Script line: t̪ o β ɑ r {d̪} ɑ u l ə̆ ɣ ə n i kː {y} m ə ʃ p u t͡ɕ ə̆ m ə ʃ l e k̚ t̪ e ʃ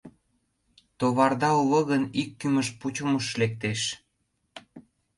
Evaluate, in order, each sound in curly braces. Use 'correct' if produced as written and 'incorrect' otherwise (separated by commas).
correct, correct